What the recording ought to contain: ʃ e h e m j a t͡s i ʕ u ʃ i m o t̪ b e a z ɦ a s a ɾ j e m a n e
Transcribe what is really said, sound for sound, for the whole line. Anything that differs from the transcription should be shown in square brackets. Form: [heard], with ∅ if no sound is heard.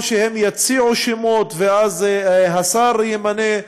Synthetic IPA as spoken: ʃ e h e m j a t͡s i ʕ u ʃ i m o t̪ [v] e a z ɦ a s a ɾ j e m a n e